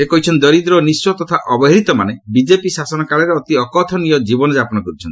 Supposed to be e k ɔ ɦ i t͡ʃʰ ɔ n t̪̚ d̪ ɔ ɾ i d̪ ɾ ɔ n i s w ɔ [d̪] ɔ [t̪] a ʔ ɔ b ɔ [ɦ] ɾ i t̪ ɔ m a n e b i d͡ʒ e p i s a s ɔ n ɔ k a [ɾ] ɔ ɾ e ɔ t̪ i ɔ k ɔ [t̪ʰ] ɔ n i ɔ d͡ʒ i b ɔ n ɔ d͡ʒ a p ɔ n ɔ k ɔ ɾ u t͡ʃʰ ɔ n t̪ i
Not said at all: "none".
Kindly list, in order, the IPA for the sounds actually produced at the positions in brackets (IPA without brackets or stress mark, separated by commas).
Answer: t̪, t̪ʰ, ɦ, ɭ, t̪ʰ